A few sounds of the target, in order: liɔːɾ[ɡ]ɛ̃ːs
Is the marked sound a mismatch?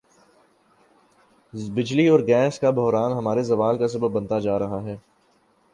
no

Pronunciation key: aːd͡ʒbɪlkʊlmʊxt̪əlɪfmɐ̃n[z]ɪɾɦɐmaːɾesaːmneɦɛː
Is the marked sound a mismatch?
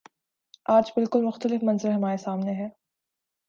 no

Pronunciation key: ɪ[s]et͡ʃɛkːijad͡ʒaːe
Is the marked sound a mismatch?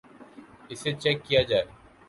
no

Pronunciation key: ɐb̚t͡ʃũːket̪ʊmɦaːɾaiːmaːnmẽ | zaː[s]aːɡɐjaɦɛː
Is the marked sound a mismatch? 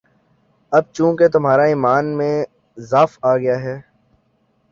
yes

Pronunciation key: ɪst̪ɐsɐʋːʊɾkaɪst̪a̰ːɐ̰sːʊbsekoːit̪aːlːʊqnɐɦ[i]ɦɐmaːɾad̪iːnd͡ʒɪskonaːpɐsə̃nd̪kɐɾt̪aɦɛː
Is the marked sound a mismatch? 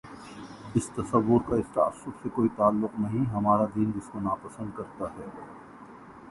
yes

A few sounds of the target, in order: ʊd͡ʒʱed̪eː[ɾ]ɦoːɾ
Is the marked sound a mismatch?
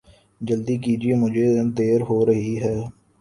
no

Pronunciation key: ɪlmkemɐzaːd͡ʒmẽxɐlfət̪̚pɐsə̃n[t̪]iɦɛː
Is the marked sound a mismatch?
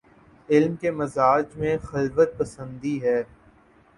yes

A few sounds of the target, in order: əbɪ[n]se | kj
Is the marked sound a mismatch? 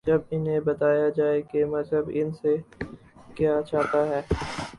no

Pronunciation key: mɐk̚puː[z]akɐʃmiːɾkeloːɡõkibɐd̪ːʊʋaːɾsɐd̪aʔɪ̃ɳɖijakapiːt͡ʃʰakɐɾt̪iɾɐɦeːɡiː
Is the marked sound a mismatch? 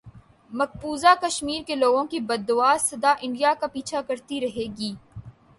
no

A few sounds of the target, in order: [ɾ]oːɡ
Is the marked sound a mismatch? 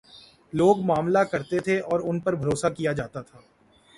yes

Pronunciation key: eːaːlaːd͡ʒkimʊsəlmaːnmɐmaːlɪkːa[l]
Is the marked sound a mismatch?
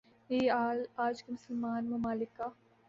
yes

